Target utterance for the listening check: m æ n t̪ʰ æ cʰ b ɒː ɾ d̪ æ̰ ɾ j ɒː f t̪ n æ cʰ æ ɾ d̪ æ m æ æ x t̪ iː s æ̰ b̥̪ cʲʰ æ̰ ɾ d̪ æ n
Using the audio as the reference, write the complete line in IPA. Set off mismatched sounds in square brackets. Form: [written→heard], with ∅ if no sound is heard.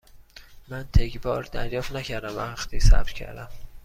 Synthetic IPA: m æ n t̪ʰ [æ→e] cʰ b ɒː ɾ d̪ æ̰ ɾ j ɒː f t̪ n æ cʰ æ ɾ d̪ æ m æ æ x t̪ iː s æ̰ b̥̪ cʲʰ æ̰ ɾ d̪ æ [n→m]